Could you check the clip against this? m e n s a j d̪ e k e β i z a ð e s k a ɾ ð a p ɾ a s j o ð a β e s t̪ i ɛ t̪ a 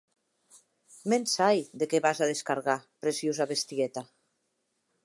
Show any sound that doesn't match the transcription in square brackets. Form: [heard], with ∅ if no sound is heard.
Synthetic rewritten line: m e n s a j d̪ e k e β [a] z a ð e s k a ɾ [ɣ] a p ɾ [e] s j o [z] a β e s t̪ i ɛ t̪ a